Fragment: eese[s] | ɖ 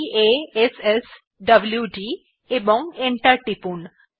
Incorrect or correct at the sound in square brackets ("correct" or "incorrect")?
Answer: correct